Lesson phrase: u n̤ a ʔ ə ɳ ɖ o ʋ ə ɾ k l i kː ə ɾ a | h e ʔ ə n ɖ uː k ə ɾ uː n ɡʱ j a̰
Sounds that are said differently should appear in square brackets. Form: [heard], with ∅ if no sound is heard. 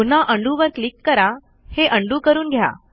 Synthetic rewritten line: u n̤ a ʔ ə ɳ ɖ [u] ʋ ə ɾ k l i kː ə ɾ a | h e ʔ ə [ɳ] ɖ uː k ə ɾ uː n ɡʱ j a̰